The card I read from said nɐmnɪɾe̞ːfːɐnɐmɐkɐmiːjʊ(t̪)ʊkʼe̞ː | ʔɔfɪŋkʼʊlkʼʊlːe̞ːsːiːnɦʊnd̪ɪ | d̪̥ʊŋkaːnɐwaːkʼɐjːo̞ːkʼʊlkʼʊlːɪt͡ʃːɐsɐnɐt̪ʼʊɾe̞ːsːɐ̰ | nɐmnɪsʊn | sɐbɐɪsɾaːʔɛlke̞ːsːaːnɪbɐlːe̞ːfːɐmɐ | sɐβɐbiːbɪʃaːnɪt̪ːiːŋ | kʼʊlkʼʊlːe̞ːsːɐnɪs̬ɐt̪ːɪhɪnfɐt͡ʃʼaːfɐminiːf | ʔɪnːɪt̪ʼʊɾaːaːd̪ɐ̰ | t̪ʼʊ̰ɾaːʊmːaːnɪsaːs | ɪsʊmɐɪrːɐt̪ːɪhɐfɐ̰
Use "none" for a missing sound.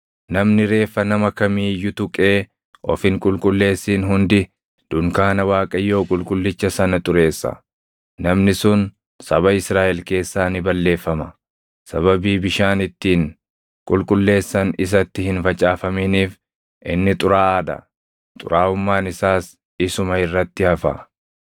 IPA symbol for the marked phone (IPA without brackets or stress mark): t̪